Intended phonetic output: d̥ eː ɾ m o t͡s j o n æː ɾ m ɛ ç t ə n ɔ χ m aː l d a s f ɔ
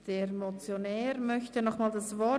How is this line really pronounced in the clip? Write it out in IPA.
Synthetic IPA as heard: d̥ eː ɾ m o t͡s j o n ɛː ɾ m œ ç t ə n ɔ χ m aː l d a s v ɔ